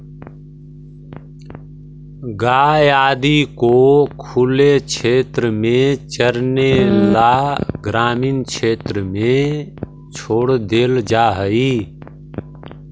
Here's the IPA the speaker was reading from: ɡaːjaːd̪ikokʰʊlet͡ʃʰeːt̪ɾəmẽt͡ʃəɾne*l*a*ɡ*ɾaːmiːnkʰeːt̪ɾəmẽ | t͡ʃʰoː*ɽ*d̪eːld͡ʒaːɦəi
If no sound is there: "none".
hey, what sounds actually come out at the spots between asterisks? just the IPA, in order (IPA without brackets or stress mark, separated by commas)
l, ɡ, ɽ